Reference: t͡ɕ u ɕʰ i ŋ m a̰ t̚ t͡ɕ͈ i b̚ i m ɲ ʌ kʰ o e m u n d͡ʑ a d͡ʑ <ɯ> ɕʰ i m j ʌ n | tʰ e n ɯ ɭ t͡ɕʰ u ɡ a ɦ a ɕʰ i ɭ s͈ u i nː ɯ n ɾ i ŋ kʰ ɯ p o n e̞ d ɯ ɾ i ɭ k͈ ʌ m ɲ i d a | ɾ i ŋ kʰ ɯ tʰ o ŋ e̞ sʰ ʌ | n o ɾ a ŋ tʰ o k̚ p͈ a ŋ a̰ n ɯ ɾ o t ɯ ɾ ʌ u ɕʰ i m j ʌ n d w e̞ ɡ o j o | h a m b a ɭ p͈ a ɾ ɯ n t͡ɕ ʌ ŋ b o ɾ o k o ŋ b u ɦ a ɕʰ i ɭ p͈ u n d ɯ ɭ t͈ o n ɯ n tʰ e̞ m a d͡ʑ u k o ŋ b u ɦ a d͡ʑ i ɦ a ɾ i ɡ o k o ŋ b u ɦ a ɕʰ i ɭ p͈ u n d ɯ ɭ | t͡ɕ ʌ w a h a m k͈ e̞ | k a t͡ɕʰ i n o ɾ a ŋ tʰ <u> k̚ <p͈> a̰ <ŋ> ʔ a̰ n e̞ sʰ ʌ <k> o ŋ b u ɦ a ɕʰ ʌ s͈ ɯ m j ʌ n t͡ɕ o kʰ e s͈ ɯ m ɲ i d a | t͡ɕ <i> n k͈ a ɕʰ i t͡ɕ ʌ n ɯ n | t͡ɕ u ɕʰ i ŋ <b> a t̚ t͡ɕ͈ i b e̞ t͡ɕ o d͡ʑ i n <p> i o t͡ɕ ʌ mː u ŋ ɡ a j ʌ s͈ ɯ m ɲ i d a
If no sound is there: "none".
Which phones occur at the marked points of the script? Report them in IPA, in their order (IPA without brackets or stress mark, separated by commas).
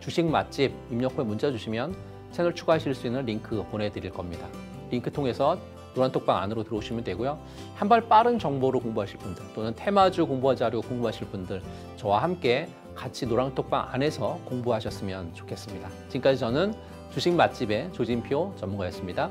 u, o, p͈, ŋ, k, i, m, pʰ